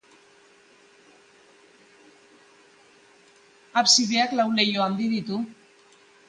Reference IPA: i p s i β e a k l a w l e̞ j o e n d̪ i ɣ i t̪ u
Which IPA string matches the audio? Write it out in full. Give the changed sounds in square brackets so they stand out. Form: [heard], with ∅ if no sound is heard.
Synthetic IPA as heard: [a] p s i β e a k l a w l e̞ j o [a] n d̪ i [ð] i t̪ u